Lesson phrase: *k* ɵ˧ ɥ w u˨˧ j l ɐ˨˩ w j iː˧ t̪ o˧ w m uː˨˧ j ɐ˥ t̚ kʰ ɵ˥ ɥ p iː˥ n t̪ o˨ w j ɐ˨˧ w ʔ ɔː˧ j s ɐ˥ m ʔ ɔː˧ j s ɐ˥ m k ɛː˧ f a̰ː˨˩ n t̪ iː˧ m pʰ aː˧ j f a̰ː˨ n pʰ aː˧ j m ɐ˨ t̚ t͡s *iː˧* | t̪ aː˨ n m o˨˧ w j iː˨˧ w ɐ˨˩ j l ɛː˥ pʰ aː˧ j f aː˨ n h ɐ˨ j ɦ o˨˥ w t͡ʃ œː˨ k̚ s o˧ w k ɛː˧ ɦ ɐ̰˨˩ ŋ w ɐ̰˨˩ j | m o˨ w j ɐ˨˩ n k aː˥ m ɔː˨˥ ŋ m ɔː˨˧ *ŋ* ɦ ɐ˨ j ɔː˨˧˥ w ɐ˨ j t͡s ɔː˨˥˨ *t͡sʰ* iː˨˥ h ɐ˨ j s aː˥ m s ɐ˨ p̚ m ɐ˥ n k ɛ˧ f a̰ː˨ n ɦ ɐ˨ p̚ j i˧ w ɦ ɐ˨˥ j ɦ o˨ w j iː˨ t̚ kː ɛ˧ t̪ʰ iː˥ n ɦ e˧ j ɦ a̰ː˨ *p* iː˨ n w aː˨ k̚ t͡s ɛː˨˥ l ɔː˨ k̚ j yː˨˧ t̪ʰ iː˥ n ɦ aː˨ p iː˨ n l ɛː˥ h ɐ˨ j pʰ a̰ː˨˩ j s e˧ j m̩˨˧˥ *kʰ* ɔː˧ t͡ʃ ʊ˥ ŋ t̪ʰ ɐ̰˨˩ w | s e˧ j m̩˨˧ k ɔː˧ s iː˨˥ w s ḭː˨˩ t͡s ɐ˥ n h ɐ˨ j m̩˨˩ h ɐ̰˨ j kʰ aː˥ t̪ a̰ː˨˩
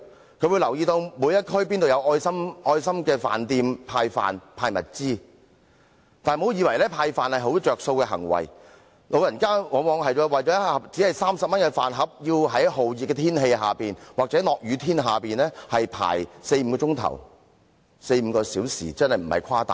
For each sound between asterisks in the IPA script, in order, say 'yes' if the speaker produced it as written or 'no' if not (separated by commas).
no, no, yes, no, yes, no